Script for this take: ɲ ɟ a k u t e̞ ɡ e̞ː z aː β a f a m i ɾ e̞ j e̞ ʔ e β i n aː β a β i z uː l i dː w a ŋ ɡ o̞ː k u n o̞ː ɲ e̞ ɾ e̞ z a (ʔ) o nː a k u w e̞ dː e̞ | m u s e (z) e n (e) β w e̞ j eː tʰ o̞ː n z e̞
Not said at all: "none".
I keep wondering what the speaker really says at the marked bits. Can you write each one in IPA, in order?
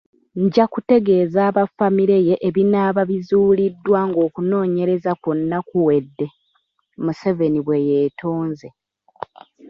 k, v, i

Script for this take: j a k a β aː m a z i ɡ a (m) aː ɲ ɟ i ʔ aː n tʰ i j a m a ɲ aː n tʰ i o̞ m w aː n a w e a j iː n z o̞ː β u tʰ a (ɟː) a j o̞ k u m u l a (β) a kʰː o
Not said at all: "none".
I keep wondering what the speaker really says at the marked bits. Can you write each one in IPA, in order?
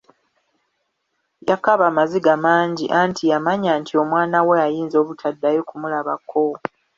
m, dː, β

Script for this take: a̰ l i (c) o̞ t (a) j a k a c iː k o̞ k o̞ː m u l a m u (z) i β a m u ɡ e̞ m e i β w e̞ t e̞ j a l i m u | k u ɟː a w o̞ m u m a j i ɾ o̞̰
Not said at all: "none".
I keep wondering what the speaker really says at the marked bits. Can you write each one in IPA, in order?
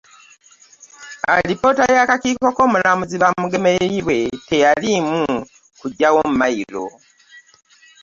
p, a, z

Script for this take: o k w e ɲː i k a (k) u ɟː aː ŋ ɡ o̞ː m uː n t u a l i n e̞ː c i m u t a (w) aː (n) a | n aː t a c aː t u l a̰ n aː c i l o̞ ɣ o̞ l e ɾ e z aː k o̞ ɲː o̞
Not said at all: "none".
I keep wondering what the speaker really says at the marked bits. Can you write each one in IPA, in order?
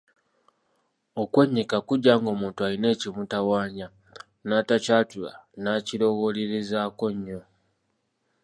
k, w, ɲ

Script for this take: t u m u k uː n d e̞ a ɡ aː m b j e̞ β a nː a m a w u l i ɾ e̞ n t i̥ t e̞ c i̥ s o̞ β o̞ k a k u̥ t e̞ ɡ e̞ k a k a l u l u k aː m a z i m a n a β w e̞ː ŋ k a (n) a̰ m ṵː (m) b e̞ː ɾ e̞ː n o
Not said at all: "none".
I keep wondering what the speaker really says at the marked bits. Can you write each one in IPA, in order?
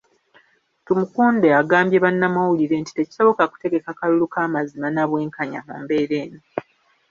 ɲ, m

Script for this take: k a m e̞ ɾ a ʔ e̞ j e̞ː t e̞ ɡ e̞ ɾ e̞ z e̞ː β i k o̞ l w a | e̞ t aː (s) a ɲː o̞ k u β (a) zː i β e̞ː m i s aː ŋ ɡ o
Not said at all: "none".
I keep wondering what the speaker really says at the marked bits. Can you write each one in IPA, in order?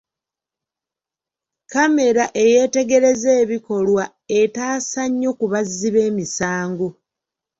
s, a

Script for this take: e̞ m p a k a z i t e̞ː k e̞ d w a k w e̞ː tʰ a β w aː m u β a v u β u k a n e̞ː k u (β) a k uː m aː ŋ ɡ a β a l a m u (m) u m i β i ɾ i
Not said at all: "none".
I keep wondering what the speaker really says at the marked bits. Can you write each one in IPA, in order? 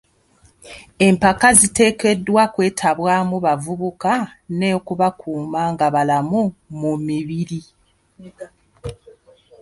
β, m

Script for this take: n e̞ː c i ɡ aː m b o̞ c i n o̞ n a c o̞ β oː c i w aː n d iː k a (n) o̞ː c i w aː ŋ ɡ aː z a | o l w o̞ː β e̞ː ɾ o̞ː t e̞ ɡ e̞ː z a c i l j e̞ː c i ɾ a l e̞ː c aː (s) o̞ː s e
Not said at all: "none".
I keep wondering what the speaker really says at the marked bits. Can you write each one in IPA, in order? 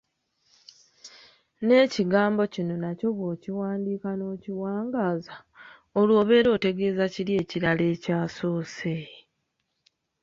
n, s

